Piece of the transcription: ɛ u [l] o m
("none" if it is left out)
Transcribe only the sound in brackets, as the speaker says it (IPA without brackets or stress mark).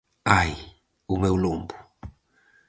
l